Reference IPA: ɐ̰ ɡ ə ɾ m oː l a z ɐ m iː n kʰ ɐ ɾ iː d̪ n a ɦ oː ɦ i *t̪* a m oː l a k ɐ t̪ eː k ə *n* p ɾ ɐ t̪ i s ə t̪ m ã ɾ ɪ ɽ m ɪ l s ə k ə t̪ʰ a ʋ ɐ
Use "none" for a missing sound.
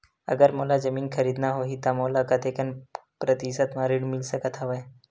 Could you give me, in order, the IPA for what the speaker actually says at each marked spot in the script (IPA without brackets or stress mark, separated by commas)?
t̪, n